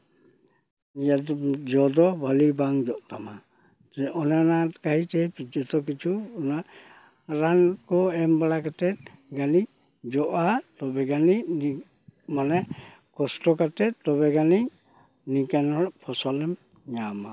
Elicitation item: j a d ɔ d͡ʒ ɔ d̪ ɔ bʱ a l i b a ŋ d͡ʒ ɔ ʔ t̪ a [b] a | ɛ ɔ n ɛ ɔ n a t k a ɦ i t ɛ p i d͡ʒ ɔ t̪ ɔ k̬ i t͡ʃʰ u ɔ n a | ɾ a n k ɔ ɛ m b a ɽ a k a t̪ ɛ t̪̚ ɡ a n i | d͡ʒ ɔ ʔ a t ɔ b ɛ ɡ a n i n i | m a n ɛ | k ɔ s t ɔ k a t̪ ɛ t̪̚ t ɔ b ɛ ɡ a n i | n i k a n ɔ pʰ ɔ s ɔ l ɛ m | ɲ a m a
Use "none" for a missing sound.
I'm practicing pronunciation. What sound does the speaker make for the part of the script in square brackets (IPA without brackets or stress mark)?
m